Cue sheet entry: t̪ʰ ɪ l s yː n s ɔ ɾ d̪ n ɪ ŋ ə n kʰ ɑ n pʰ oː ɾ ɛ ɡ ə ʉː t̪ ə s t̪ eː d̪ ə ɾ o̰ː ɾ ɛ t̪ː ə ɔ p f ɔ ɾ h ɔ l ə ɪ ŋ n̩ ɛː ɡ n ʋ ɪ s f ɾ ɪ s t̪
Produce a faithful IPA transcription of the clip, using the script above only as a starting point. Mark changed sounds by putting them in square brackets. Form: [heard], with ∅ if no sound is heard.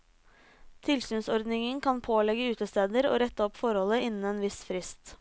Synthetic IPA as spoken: t̪ʰ ɪ l s yː n s ɔ ɾ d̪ n ɪ ŋ ə n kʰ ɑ n pʰ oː [l] ɛ ɡ ə ʉː t̪ ə s t̪ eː d̪ ə ɾ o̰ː ɾ ɛ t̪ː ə ɔ p f ɔ ɾ h ɔ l ə ɪ [n] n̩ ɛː [∅] n ʋ ɪ s f ɾ ɪ s t̪